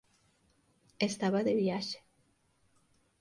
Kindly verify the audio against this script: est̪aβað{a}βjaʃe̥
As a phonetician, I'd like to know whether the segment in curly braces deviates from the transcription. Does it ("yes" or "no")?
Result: yes